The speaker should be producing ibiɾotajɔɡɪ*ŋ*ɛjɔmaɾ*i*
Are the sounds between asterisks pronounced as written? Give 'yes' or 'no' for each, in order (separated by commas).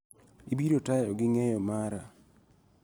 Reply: yes, no